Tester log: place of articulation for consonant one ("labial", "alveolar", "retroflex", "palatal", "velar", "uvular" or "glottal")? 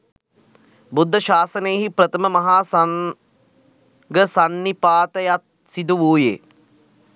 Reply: labial